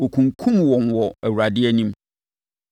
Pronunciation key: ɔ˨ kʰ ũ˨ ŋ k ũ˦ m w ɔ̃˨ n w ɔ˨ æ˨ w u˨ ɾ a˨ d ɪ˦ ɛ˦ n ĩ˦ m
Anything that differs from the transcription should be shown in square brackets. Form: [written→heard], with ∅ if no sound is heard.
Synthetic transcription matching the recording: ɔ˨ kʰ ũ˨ ŋ [k→kʰ] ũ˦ m w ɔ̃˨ n w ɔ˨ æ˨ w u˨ ɾ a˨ d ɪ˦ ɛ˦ n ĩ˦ m